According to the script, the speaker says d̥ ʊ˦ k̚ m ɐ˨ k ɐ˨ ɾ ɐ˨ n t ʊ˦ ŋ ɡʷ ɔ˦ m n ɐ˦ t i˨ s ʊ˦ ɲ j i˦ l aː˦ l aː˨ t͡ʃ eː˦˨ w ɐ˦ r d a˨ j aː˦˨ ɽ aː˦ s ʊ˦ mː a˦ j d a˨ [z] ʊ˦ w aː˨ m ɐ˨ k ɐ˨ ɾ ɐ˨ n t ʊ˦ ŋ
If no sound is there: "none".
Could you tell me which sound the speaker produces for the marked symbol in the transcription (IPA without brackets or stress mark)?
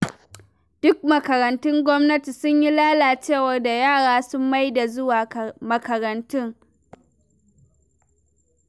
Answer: z